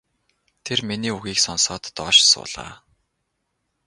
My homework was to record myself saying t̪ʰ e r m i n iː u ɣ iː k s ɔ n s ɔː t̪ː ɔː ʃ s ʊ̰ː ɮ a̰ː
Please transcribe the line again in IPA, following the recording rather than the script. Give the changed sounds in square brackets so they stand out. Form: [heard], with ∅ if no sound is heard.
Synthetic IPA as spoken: t̪ʰ e r m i n iː u ɣ iː k s ɔ n s ɔː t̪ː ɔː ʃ s ʊ̰ː ɮ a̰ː